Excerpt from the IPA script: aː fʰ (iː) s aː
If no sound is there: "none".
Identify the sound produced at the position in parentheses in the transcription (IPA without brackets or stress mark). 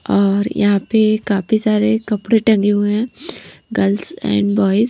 i